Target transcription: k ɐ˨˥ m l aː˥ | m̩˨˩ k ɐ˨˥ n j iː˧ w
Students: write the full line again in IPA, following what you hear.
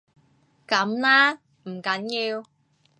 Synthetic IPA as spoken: k ɐ˨˥ m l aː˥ | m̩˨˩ k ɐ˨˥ n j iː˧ w